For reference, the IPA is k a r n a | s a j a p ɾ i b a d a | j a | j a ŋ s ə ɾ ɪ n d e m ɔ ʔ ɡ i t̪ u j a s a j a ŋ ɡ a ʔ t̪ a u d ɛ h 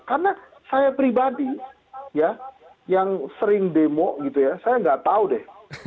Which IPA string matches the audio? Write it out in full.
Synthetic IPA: k a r n a | s a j a p ɾ i b a d i | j a | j a ŋ s ə ɾ ɪ ŋ d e m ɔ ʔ ɡ i t̪ u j a s a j a ŋ ɡ a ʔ t̪ a u d ɛ h